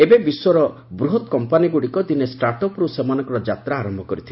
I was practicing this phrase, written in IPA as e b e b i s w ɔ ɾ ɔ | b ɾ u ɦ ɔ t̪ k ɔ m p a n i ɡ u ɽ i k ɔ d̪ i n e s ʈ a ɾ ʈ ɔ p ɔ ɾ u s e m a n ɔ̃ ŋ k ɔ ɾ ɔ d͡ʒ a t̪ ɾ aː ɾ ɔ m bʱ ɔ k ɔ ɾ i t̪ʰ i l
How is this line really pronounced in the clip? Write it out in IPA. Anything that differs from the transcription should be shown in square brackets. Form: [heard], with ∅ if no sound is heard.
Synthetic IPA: e b e b i s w ɔ ɾ ɔ | b ɾ u ɦ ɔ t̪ k ɔ m p a n i ɡ u ɽ i k ɔ d̪ i n e s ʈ a ɾ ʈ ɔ p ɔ ɾ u s e m a n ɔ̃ ŋ k ɔ ɾ ɔ d͡ʒ a t̪ ɾ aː ɾ ɔ m bʱ ɔ k ɔ ɾ i t̪ʰ i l